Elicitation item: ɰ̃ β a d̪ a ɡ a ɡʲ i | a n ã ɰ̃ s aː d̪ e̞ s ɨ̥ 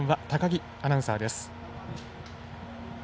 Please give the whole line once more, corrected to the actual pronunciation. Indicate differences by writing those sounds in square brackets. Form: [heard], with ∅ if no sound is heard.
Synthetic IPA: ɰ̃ β a [t̪] a [k] a ɡʲ i | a n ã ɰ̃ s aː d̪ e̞ s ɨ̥